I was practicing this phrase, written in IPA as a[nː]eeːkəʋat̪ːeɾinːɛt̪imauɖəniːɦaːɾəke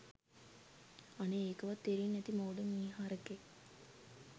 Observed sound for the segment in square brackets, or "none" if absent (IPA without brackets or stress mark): n